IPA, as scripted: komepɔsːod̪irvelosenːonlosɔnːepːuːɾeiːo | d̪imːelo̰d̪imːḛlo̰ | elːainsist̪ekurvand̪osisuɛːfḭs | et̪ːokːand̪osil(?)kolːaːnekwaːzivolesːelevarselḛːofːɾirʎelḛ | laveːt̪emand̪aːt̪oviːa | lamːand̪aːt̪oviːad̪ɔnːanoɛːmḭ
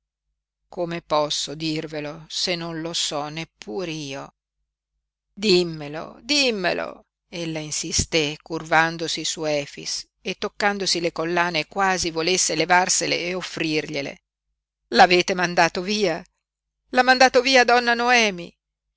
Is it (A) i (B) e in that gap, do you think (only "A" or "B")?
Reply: B